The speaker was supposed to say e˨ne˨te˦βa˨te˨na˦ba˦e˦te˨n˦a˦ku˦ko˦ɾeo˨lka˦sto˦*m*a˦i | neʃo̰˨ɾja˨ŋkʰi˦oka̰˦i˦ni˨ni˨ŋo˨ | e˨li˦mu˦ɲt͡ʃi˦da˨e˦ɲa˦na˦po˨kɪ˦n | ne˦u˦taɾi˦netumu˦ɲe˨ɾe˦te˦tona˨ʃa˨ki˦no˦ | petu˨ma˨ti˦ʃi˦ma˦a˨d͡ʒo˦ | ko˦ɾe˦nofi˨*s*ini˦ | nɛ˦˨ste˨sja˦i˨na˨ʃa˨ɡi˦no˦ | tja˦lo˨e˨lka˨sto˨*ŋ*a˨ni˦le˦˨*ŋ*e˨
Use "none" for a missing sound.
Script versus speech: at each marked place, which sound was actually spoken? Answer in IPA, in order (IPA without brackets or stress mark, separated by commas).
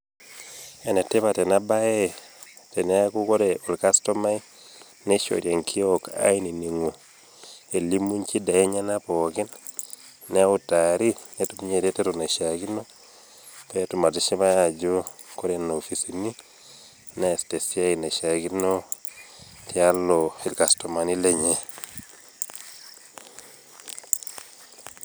m, s, m, ɲ